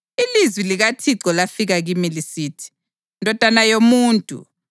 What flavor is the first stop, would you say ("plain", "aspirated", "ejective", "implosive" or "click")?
aspirated